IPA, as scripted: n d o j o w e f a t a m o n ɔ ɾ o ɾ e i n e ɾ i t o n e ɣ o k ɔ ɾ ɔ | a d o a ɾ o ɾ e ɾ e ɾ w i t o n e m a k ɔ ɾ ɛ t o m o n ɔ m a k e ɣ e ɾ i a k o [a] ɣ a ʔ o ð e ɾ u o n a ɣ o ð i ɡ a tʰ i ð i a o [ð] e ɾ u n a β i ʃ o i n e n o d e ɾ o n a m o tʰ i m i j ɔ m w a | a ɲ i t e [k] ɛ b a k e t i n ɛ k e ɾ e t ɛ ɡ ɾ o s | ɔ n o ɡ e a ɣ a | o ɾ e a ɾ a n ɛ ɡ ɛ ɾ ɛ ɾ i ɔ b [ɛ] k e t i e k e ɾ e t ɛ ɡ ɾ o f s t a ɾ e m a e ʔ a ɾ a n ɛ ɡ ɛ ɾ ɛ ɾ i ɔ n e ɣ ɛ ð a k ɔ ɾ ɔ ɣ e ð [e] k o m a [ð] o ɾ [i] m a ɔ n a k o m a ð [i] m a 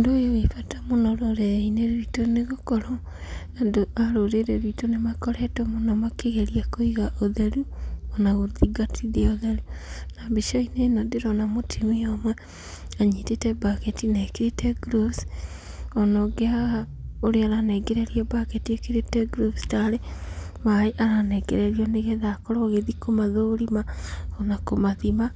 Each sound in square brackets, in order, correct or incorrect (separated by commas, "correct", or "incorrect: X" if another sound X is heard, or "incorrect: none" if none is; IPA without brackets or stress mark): incorrect: i, correct, incorrect: t, incorrect: a, incorrect: i, correct, correct, correct